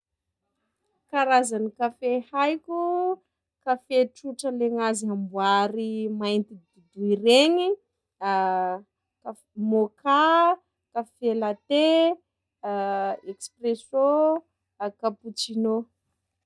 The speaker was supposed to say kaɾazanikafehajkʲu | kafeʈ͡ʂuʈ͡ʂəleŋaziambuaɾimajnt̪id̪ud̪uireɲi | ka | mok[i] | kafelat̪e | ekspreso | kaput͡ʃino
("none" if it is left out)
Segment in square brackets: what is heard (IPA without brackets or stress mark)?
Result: a